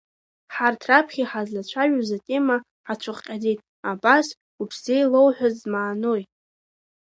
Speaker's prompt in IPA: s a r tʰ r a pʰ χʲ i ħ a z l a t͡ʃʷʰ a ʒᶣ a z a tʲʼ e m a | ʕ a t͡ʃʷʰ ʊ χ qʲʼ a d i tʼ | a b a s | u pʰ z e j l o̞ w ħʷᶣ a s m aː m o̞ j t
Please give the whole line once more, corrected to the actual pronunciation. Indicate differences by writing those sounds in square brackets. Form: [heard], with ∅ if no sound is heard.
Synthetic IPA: [ħ] a r tʰ r a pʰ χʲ i ħ a z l a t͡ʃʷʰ a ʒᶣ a z a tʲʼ e m a | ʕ a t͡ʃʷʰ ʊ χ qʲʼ a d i tʼ | a b a s | u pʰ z e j l o̞ w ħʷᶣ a [z] m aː [n] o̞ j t